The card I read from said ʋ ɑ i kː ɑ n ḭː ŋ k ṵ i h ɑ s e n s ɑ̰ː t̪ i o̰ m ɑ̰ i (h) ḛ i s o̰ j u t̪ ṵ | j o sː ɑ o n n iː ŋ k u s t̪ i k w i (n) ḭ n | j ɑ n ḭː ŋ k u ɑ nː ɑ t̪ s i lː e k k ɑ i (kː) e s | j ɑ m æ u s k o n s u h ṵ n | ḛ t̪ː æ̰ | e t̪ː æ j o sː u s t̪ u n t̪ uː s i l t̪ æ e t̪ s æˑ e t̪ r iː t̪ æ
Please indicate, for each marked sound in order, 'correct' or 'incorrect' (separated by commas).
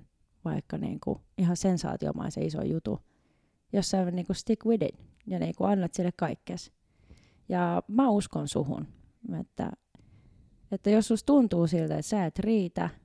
incorrect, incorrect, correct